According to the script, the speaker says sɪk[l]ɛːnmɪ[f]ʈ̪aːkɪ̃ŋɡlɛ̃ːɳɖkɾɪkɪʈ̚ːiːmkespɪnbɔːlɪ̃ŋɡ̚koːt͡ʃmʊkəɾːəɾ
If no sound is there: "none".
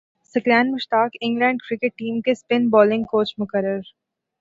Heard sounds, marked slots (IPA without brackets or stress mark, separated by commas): l, ʃ